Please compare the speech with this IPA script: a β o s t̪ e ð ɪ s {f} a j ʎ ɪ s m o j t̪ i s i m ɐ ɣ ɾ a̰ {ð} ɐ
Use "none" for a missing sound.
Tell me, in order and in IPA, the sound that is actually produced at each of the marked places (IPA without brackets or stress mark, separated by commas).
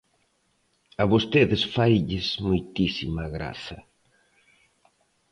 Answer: f, θ